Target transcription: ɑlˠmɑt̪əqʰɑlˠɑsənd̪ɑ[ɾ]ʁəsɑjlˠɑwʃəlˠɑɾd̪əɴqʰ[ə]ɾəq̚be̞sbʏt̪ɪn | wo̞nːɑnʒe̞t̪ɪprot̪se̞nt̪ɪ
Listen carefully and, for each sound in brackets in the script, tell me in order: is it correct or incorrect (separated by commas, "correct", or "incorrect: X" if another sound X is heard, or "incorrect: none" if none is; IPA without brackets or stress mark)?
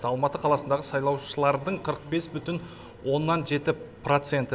incorrect: none, correct